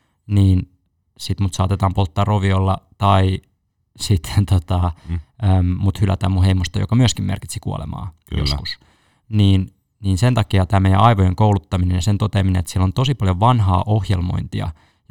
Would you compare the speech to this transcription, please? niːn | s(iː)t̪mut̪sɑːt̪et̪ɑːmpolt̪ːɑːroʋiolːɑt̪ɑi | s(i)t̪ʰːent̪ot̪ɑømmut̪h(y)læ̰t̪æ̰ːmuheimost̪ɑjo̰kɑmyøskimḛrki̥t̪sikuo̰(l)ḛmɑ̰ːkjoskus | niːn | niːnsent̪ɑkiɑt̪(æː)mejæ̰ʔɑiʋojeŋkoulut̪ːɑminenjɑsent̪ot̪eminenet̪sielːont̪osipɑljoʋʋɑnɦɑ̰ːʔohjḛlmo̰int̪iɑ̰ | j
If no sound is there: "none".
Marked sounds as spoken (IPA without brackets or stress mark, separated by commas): i, i, y, l, æː